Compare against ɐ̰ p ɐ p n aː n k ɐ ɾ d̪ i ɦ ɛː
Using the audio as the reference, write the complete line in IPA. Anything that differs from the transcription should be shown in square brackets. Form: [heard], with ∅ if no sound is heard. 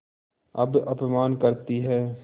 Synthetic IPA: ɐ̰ [b] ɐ p [m] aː n k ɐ ɾ [t̪] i ɦ ɛː